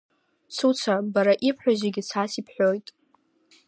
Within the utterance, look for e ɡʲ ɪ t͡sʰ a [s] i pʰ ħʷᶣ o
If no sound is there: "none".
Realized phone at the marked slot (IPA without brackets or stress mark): s